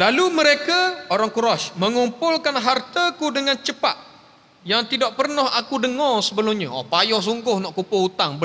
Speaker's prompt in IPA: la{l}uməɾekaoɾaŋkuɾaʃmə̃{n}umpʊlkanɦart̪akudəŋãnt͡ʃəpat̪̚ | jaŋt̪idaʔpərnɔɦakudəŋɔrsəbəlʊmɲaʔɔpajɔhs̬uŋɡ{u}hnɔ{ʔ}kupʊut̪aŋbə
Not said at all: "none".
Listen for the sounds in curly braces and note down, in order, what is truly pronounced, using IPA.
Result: l, ŋ, ʊ, ʔ

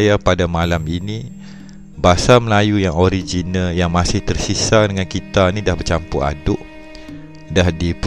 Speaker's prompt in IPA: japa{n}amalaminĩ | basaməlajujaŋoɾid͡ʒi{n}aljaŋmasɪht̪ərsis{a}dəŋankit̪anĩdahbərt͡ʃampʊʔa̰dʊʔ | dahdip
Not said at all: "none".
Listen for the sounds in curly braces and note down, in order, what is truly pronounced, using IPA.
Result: d, n, a

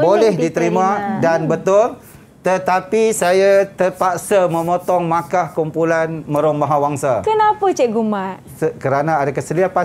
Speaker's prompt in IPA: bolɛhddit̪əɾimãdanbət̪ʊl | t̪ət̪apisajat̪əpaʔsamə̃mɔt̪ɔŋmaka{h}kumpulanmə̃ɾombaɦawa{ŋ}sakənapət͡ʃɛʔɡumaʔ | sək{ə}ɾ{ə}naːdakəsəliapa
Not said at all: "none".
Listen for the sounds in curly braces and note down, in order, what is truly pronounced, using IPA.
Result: h, ŋ, ə, a

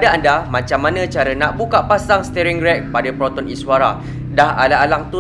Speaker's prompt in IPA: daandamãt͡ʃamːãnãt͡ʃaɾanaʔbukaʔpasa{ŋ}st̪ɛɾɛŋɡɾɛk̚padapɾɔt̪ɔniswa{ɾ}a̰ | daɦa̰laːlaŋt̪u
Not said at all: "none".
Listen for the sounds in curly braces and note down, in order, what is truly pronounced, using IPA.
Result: ŋ, ɾ

